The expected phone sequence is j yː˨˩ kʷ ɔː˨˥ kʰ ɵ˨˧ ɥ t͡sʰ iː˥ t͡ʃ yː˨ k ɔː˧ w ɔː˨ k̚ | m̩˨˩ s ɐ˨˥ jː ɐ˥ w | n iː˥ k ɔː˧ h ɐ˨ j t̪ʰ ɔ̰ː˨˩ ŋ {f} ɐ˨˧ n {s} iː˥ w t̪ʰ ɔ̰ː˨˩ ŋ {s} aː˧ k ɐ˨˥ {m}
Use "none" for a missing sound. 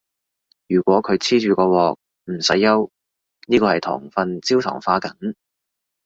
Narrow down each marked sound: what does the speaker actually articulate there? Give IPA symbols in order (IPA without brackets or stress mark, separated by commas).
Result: f, t͡s, f, ŋ